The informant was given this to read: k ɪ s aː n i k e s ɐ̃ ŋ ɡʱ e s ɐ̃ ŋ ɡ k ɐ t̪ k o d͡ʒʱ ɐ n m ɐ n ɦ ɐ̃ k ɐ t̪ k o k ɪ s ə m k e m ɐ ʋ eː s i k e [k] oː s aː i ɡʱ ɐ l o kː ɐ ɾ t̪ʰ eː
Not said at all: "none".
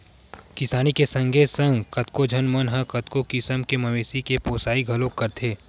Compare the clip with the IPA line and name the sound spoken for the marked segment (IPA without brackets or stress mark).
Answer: p